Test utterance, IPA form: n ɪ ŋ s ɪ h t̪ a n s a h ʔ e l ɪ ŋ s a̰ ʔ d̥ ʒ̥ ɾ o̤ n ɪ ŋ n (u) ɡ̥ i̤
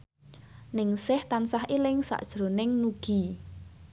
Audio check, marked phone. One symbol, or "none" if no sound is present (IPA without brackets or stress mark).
u